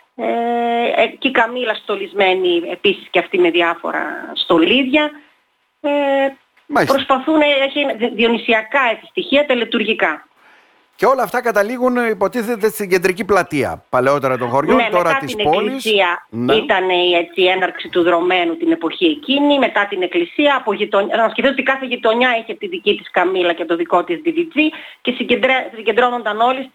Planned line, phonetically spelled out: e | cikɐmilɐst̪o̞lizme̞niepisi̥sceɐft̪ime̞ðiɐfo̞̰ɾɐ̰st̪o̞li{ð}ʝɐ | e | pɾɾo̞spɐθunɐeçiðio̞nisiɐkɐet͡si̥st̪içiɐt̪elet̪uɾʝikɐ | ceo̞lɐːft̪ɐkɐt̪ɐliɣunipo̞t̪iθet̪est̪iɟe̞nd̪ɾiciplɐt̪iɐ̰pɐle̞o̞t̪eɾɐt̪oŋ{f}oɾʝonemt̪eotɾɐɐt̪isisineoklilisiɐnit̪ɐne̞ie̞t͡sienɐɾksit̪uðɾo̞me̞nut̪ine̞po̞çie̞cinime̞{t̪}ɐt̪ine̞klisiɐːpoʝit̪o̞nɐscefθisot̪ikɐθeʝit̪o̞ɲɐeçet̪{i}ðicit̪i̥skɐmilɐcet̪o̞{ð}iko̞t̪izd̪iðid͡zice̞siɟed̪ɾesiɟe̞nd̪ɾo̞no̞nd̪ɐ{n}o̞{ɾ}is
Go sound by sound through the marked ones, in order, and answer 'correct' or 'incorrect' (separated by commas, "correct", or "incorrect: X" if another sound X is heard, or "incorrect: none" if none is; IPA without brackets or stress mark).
correct, incorrect: x, correct, correct, correct, correct, incorrect: l